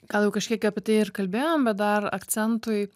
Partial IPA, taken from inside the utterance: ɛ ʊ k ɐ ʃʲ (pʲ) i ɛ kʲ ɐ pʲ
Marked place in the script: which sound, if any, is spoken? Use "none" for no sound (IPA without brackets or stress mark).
kʲ